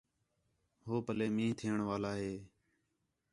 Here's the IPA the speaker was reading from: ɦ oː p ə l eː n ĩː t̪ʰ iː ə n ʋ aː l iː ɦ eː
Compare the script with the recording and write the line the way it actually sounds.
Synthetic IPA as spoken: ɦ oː p ə l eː m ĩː t̪ʰ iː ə ɳ ʋ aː l aː ɦ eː